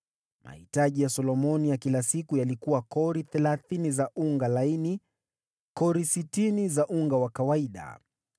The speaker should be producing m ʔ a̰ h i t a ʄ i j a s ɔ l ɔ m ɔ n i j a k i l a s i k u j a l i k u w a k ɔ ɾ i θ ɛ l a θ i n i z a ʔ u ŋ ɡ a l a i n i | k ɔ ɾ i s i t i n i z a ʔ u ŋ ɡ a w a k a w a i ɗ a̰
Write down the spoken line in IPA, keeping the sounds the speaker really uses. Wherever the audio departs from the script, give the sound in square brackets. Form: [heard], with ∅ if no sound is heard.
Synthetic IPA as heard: m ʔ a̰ h i t a ʄ i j a s ɔ l ɔ m ɔ n i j a k i l a s i k u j a l i k u w a k ɔ ɾ i θ ɛ l a θ i n i z a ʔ u ŋ ɡ a l a i n i | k ɔ ɾ i s i t i n i z a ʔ u ŋ ɡ a w a k a w a i ɗ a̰